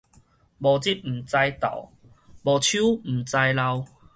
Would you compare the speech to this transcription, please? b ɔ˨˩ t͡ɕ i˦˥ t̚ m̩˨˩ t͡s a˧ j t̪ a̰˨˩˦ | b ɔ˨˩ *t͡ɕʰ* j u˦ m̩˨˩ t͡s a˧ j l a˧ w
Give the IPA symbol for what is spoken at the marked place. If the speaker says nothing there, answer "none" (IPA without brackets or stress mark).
t͡ɕʰ